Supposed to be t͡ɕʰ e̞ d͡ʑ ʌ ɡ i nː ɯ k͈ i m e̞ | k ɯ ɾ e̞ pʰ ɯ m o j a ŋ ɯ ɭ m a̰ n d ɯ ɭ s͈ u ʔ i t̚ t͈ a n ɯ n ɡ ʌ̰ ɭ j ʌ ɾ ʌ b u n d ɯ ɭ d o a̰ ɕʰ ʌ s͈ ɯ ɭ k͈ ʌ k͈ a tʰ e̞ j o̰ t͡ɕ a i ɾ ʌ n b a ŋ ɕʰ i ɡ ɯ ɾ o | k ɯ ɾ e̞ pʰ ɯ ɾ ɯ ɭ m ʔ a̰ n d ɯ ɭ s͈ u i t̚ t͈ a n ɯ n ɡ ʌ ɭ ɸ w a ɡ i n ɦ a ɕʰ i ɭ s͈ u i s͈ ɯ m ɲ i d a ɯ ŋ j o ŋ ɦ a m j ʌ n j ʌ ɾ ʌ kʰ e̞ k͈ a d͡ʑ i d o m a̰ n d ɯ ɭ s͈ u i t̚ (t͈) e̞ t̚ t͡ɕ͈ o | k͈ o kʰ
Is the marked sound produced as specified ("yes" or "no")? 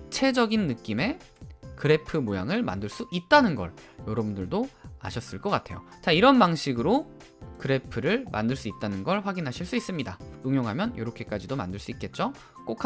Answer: no